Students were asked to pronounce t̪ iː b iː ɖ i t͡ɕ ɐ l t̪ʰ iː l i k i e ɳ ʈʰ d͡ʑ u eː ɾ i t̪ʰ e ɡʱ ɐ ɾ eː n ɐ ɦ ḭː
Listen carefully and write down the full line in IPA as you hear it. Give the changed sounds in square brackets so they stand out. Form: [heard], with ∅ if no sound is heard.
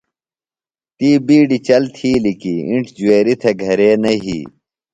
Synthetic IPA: t̪ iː b iː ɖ i t͡ɕ ɐ l t̪ʰ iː l i k i [i] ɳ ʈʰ d͡ʑ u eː ɾ i t̪ʰ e ɡʱ ɐ ɾ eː n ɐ ɦ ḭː